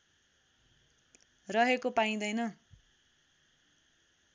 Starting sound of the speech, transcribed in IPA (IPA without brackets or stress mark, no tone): r